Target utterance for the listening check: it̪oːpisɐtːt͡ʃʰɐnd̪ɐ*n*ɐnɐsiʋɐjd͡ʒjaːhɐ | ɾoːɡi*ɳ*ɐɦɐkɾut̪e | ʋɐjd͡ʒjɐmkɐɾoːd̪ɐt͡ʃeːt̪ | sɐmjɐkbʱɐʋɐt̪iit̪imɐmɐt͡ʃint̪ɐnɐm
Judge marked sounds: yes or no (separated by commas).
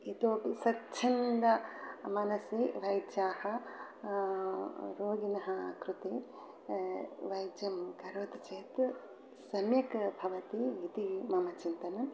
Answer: no, no